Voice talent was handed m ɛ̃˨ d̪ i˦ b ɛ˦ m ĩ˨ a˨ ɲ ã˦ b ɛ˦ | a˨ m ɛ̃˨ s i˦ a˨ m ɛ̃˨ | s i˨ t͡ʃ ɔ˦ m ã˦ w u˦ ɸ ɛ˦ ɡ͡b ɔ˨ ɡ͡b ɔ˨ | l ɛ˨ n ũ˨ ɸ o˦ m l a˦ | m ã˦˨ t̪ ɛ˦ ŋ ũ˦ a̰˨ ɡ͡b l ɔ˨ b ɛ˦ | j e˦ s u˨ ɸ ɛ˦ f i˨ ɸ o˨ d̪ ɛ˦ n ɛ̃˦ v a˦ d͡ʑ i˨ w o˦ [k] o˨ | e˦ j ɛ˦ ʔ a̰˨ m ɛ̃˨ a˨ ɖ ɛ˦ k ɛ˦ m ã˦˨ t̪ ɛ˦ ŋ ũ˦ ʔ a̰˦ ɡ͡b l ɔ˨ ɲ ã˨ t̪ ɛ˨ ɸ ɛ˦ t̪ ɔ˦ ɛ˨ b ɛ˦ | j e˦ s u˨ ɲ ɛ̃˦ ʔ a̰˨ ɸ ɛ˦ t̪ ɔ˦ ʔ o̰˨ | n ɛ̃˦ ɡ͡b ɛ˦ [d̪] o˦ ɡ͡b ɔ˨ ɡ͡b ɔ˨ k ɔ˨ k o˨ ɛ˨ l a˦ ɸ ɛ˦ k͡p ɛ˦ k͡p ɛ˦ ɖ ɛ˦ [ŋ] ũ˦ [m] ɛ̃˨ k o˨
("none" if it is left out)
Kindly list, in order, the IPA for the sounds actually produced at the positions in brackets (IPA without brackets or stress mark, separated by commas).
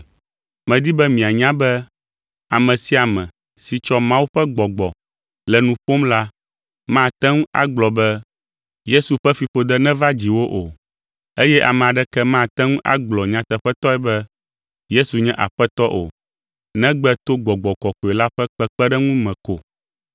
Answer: ʔ, t̪, ŋ, m